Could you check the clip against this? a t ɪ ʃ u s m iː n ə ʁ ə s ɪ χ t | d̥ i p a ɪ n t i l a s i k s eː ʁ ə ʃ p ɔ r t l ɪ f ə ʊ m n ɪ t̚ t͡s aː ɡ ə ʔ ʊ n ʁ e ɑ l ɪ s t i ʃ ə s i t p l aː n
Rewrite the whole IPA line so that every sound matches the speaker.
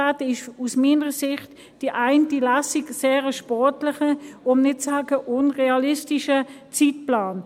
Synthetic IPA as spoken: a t ɪ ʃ u s m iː n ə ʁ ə s ɪ χ t | d̥ i ʔ a ɪ n t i l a s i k s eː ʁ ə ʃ p ɔ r t l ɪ χ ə ʊ m n ɪ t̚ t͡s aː ɡ ə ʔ ʊ n ʁ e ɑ l ɪ s t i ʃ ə t͡s i t p l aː n